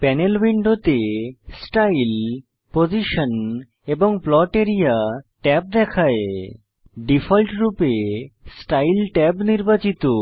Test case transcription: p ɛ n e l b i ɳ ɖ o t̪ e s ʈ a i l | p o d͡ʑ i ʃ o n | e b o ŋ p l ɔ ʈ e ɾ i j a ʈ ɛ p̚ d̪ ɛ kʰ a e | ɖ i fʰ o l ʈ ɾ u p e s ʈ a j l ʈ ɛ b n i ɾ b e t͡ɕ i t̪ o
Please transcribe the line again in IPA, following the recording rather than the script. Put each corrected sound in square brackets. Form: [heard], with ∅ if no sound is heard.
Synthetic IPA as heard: p ɛ n e l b i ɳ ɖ o t̪ e s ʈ a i l | p o d͡ʑ i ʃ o n | e b o ŋ p l ɔ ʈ e ɾ i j a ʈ ɛ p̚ d̪ ɛ kʰ a e | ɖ i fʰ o l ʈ ɾ u p e s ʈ a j l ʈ ɛ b n i ɾ b [a] t͡ɕ i t̪ o